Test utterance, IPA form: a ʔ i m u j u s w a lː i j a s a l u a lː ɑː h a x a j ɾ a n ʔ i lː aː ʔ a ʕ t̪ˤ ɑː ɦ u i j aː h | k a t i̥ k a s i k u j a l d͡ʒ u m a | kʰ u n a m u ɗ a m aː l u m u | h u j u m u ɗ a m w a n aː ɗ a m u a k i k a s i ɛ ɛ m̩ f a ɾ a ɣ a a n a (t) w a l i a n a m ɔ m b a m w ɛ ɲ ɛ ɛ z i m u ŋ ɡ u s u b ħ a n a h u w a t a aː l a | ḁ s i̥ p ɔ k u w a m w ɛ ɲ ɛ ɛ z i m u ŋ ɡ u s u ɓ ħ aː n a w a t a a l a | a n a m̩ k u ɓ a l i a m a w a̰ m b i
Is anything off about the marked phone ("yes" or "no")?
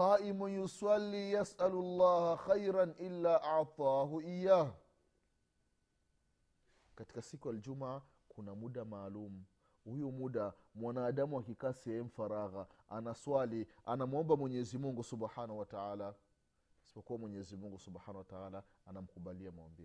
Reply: yes